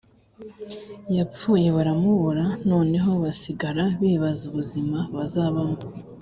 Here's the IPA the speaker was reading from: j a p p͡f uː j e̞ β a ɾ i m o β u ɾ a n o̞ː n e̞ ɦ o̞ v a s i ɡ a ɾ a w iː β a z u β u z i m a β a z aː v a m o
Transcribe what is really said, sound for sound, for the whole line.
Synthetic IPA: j a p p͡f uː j e̞ β a ɾ a m u β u ɾ a n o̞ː n e̞ ɦ o̞ β a s i ɡ a ɾ a β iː β a z u β u z i m a β a z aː β a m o